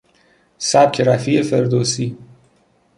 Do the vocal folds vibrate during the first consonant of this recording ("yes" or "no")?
no